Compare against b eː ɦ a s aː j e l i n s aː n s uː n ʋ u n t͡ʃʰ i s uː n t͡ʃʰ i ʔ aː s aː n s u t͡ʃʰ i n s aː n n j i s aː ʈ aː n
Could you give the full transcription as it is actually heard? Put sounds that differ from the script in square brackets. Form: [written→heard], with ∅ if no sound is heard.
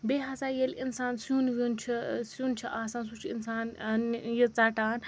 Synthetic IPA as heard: b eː ɦ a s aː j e l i n s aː n s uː n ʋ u n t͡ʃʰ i s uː n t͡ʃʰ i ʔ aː s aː n s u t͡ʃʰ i n s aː n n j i [s→t͡s] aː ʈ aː n